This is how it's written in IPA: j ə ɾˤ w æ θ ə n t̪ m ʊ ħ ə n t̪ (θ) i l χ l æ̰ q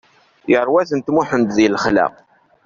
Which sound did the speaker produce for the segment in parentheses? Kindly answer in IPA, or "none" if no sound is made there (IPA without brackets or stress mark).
ð